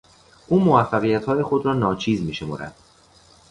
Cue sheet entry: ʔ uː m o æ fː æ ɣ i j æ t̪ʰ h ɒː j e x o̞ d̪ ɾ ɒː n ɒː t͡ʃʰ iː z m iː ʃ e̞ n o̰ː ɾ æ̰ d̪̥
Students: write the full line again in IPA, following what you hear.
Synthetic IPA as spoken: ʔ uː m o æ fː æ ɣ i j æ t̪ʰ h ɒː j e x o̞ d̪ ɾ ɒː n ɒː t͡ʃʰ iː z m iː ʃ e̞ m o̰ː ɾ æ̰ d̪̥